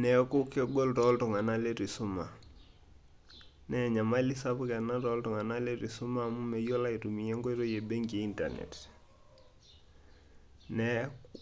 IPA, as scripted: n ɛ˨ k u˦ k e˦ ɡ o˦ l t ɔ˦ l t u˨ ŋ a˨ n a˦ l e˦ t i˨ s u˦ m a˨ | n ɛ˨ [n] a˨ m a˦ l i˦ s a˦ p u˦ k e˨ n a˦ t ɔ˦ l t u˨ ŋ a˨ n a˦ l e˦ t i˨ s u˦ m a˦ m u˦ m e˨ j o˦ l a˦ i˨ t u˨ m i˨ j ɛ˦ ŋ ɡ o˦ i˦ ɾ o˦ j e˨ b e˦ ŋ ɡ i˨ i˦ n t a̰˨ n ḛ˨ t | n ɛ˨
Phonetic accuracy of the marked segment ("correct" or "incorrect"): incorrect